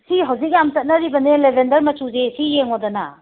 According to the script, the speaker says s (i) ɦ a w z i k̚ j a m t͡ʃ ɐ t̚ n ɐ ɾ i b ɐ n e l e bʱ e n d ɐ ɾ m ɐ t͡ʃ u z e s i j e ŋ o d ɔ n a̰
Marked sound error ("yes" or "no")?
no